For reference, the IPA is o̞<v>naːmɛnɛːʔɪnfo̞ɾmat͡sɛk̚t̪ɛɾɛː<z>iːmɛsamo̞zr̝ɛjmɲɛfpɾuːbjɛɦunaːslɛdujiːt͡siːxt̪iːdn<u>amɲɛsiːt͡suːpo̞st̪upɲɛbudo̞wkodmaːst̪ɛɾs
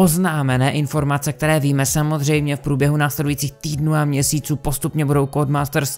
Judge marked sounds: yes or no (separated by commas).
no, no, no